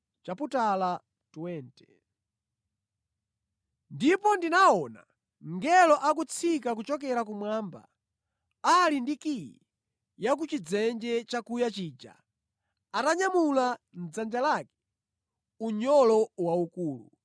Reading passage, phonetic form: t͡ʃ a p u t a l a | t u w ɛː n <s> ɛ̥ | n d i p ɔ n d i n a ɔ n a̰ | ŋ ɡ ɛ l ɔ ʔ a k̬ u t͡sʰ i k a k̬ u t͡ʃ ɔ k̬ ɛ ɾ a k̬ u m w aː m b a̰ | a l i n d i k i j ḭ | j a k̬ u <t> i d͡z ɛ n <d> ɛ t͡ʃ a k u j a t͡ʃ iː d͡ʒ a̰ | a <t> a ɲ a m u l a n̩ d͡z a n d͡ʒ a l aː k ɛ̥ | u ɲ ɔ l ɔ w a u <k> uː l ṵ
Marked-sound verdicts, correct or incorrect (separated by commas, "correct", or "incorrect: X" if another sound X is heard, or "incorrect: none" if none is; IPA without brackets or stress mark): incorrect: t, incorrect: t͡ʃ, incorrect: d͡ʒ, correct, correct